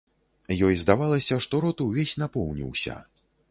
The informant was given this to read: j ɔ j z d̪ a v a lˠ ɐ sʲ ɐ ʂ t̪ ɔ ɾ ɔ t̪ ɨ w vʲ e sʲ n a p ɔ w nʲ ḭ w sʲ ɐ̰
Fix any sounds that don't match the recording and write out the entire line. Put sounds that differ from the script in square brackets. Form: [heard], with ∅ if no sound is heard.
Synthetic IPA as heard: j ɔ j z d̪ a v a lˠ ɐ sʲ ɐ ʂ t̪ ɔ ɾ ɔ t̪ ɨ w vʲ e sʲ n a p ɔ w nʲ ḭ w sʲ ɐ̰